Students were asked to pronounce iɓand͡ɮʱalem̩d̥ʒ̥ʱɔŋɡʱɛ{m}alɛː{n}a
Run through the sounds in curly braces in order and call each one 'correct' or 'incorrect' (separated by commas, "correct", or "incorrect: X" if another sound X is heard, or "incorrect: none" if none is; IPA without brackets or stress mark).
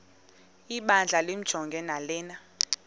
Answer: incorrect: n, correct